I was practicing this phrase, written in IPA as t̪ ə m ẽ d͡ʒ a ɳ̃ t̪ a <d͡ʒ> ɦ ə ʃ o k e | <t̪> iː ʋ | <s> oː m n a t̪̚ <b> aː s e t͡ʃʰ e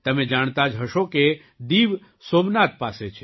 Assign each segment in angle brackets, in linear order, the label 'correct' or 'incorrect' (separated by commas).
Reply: correct, incorrect, correct, incorrect